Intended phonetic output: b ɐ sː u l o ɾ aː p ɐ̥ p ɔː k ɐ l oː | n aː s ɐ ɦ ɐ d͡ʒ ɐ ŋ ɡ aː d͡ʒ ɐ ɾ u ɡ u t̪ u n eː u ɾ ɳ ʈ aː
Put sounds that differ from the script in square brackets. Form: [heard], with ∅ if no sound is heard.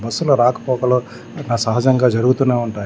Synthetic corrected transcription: b ɐ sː u l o ɾ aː [k] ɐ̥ p ɔː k ɐ l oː | n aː s ɐ ɦ ɐ d͡ʒ ɐ ŋ ɡ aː d͡ʒ ɐ ɾ u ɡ u t̪ u n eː u [∅] ɳ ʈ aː